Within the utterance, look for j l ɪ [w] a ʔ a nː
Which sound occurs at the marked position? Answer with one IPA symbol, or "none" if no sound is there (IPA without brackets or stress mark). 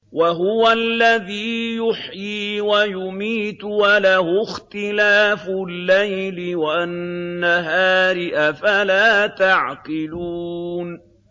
w